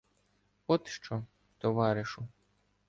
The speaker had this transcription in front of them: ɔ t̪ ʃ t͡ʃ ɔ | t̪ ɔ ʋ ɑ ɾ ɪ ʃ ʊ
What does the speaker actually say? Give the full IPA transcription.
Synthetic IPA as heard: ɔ t̪ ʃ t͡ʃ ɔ | t̪ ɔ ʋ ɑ ɾ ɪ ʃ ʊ